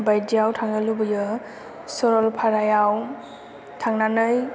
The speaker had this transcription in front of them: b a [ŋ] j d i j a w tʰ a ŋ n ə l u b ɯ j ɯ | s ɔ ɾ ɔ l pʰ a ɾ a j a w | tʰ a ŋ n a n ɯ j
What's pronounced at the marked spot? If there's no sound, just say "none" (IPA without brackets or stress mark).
none